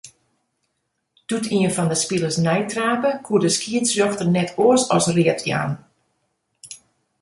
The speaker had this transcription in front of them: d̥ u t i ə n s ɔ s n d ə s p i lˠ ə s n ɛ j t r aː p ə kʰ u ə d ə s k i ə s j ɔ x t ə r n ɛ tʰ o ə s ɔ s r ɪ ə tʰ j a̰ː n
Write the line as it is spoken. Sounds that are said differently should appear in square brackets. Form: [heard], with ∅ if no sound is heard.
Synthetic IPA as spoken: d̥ u t i ə n [f] ɔ [∅] n d ə s p i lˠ ə s n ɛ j t r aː p ə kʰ u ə d ə s k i ə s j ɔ x t ə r n ɛ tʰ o ə s ɔ s r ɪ ə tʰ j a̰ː n

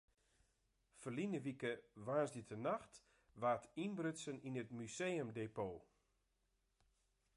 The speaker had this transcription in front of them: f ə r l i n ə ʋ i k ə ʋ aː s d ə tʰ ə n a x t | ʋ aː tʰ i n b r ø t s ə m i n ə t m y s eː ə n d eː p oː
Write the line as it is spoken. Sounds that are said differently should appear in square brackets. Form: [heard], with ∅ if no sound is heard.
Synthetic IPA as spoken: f ə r l i n ə ʋ i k ə ʋ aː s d ə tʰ ə n a x t | ʋ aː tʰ i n b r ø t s ə [n] i n ə t m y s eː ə [m] d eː p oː

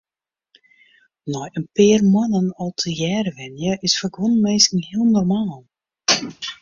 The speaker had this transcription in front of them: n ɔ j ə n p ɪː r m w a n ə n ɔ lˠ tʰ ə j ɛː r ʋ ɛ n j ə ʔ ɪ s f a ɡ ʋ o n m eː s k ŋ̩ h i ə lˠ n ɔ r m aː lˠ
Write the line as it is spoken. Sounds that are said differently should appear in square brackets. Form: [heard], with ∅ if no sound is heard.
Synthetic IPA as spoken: n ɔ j ə n p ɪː r m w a n ə n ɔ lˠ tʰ ə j ɛː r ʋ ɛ n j ə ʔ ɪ s f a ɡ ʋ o n m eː s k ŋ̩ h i ə lˠ n ɔ r m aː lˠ

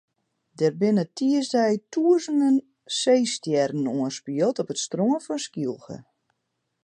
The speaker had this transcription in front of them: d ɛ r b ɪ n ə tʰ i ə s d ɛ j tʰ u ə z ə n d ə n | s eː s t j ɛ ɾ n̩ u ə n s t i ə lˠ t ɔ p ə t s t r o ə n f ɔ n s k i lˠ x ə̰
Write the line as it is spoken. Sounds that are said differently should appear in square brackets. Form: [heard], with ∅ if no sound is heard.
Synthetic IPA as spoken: d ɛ r b ɪ n ə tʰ i ə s d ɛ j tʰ u ə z ə n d ə n | s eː s t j ɛ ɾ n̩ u ə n s [p] i ə lˠ t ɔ p ə t s t r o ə n f ɔ n s k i lˠ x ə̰

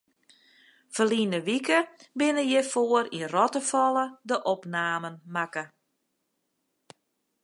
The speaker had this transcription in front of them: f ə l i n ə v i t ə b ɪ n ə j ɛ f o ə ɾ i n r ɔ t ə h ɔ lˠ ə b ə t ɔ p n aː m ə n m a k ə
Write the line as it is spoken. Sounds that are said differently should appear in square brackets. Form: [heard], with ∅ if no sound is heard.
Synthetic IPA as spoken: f ə l i n ə [ʋ] i [k] ə b ɪ n ə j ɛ f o ə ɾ i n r ɔ t ə [f] ɔ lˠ ə [d] ə [ʔ] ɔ p n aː m ə n m a k ə

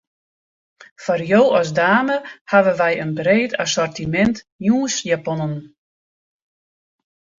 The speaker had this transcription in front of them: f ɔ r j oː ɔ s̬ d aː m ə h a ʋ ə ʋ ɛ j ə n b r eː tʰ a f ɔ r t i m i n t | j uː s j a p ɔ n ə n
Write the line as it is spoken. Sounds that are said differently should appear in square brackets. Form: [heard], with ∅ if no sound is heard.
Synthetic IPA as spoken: f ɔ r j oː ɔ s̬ d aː m ə h a ʋ ə ʋ ɛ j ə n b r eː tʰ a [s] ɔ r t i m [ɛ] n t | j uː s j a p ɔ n ə n

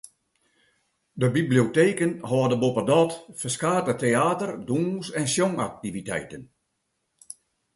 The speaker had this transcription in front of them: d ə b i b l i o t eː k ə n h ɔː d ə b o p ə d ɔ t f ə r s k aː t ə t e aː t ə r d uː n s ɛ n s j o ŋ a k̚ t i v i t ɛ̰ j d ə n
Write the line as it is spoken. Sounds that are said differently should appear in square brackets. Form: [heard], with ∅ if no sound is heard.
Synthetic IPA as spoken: d ə b i b l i o t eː k ə n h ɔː d ə b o p ə d ɔ t f ə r s k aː t ə t e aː t ə r d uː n s ɛ n s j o ŋ a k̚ t i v i t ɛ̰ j [t] ə n

